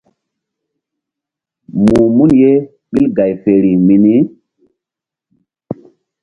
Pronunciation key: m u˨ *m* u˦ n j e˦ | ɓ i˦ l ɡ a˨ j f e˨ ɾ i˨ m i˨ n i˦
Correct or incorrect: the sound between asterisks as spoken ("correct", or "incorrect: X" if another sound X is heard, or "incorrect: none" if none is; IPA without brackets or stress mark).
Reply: correct